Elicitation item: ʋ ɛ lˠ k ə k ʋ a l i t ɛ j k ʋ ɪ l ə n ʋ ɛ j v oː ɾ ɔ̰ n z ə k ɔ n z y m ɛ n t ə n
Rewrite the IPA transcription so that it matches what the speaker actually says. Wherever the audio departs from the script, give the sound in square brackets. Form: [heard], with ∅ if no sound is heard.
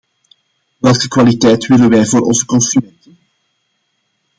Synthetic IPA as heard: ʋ ɛ lˠ k ə k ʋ a l i t ɛ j [t] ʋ ɪ l ə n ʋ ɛ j v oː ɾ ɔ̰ n z ə k ɔ n [s] y m ɛ n t ə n